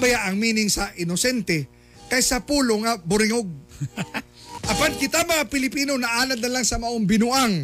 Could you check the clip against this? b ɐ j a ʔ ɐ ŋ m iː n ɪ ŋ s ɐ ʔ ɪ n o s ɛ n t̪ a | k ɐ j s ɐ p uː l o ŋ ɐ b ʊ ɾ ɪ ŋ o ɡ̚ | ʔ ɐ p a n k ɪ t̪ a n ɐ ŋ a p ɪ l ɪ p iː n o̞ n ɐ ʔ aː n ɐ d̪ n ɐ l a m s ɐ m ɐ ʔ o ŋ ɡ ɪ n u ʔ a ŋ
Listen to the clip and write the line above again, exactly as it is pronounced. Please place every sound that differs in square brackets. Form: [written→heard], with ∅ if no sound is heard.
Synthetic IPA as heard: b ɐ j a ʔ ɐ ŋ m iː n ɪ ŋ s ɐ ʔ ɪ n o s ɛ n t̪ [a→ɛ] | k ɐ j s ɐ p uː l o ŋ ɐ b ʊ ɾ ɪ ŋ o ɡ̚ | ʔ ɐ p a n k ɪ t̪ a [n→m] ɐ ŋ a p ɪ l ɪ p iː n o̞ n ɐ ʔ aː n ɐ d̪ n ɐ l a [m→ŋ] s ɐ m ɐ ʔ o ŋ [ɡ→b] ɪ n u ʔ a ŋ